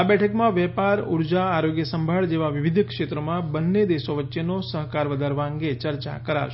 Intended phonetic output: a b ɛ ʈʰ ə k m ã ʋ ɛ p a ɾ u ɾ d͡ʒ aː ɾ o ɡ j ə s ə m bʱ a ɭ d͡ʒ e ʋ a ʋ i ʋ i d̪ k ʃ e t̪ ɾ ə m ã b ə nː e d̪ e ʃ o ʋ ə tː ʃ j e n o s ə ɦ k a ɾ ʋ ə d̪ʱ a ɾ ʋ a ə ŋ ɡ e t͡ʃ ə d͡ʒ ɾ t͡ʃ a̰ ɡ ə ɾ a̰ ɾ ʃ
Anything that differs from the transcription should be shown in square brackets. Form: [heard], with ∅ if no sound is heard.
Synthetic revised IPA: a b ɛ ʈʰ ə k m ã ʋ ɛ p a ɾ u ɾ d͡ʒ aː ɾ o ɡ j ə s ə m bʱ a ɭ d͡ʒ e ʋ a ʋ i ʋ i d̪ k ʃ e t̪ ɾ ə m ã b ə nː e d̪ e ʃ o ʋ ə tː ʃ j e n o s ə ɦ k a ɾ ʋ ə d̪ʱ a ɾ ʋ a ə ŋ ɡ e t͡ʃ ə [∅] ɾ t͡ʃ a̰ [k] ə ɾ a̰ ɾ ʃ